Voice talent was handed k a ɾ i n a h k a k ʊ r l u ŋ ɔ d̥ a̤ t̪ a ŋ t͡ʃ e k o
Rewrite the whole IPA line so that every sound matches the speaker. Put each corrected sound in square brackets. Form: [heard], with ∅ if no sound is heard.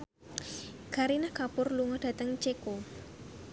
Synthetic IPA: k a ɾ i n a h k a [p] ʊ r l u ŋ ɔ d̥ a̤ t̪ [ə] ŋ t͡ʃ e k o